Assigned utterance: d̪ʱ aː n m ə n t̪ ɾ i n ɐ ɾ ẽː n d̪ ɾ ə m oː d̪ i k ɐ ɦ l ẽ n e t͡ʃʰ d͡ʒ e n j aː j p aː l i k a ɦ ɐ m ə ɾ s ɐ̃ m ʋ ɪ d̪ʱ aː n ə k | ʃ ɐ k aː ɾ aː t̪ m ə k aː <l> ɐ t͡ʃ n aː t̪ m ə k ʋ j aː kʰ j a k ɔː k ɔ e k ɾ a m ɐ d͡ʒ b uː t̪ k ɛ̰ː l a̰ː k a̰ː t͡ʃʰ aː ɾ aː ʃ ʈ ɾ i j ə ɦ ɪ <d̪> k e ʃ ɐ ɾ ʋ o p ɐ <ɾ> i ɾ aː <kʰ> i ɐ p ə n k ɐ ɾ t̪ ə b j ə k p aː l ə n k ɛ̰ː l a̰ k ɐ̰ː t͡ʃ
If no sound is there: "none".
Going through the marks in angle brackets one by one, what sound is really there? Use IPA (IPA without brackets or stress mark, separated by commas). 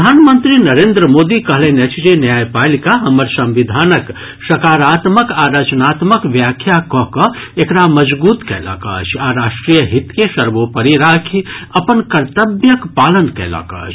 ɾ, t̪, ɾ, kʰ